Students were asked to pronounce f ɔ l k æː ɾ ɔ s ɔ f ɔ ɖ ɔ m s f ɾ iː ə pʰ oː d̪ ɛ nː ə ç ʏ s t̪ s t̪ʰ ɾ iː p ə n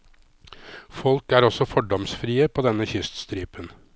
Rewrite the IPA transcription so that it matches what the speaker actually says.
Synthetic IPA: f ɔ l k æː ɾ ɔ s ɔ f ɔ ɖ ɔ m s f ɾ iː ə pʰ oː d̪ ɛ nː ə ç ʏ s t̪ s t̪ ɾ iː p ə n